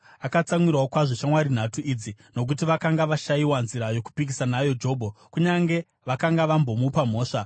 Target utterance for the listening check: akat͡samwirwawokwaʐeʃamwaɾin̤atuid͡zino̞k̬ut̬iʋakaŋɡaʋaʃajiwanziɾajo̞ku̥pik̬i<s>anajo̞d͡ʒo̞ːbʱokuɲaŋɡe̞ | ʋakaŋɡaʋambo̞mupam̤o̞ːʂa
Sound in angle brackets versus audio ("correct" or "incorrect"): correct